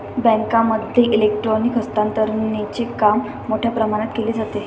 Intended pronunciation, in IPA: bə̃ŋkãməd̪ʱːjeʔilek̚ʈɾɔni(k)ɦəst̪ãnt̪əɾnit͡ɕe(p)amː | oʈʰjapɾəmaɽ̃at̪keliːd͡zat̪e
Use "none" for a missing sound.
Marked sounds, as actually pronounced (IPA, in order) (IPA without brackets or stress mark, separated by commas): k, k